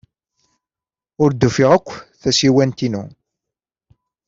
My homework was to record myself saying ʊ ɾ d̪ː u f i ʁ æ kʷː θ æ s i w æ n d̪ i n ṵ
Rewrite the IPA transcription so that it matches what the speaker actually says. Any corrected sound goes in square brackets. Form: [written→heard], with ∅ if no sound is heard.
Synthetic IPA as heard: ʊ ɾ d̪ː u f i ʁ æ kʷː θ æ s i w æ n [d̪→t̪] i n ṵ